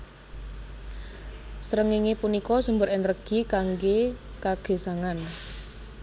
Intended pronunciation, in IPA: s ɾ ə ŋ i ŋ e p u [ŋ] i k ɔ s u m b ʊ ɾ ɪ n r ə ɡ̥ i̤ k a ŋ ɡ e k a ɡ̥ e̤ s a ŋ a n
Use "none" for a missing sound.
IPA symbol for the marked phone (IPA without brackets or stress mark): n